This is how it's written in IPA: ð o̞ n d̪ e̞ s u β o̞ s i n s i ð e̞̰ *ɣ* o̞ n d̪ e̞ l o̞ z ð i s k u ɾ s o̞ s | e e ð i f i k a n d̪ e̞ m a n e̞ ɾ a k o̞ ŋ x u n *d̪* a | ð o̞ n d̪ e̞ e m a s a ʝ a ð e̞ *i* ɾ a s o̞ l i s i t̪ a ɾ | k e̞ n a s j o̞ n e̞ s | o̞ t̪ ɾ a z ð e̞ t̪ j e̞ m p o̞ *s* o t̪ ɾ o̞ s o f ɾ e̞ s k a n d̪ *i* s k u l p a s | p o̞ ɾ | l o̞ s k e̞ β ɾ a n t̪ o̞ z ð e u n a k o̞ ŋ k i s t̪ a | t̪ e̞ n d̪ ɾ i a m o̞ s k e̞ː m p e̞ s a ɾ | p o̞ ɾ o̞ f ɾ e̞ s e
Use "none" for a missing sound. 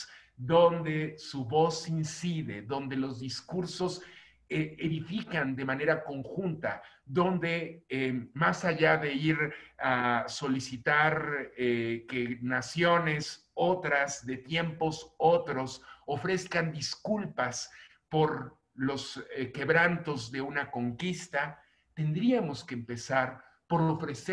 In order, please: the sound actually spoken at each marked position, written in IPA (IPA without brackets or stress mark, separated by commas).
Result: ð, t̪, i, s, i